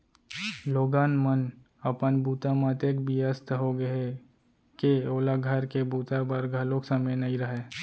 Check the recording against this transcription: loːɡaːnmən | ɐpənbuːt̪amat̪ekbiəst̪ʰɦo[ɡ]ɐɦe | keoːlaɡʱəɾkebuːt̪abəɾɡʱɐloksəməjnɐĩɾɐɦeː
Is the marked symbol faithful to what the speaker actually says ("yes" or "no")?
yes